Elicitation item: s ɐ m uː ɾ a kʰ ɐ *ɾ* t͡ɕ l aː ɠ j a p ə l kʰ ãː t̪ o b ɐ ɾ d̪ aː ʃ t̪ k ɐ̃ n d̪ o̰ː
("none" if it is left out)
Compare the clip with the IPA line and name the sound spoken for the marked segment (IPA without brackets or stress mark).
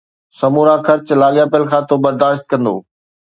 ɾ